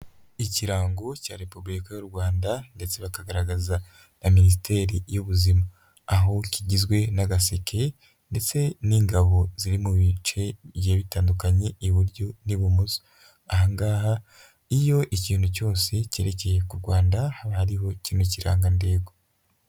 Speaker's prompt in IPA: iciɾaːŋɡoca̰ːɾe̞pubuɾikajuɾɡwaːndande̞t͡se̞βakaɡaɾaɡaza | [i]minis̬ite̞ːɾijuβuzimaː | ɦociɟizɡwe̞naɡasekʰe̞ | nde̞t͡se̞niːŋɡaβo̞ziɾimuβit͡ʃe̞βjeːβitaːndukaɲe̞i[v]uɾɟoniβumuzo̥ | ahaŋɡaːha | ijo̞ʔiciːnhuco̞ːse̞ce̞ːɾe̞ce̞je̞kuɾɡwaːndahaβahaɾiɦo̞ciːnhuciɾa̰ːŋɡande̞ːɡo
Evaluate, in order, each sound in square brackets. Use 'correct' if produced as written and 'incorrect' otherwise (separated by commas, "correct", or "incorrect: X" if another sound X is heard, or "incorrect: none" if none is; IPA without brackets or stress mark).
incorrect: a, incorrect: β